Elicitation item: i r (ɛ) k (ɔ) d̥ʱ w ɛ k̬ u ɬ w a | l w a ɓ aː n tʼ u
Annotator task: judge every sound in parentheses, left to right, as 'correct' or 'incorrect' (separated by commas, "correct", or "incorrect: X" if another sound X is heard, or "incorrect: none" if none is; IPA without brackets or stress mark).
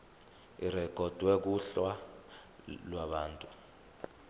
correct, correct